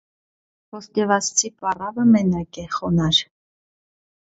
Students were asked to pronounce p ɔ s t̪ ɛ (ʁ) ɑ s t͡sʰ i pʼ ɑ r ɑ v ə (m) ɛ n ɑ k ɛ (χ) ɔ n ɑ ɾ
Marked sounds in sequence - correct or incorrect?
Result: incorrect: v, correct, correct

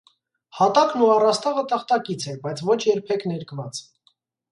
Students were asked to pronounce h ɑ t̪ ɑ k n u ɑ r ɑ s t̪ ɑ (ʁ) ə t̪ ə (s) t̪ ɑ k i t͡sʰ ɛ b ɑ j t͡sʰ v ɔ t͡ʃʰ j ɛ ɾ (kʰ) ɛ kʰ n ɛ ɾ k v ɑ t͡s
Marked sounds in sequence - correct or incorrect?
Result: correct, incorrect: χ, incorrect: pʰ

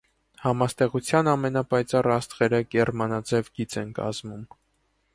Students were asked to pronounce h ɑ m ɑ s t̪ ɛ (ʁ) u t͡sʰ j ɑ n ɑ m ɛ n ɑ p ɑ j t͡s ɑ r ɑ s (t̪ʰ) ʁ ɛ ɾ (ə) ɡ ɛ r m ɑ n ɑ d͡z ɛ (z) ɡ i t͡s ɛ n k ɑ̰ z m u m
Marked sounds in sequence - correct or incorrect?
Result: correct, incorrect: t̪, correct, incorrect: v

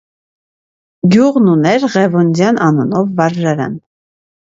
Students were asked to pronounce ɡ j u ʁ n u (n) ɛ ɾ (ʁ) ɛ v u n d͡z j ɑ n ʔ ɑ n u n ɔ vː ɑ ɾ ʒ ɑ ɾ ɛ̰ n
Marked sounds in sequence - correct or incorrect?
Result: correct, correct

